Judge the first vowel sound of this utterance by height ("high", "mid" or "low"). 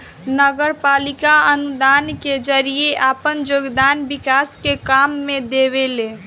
mid